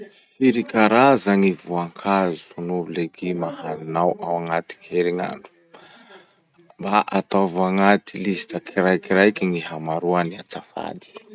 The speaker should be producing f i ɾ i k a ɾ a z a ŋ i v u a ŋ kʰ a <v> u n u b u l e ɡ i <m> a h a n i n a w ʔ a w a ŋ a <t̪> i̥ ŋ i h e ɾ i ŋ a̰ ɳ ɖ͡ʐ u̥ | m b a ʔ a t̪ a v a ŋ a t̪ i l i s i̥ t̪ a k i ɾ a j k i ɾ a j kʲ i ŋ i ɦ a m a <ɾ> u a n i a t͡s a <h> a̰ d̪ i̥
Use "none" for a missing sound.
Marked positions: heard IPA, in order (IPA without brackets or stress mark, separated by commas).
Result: z, m, t̪, ɾ, f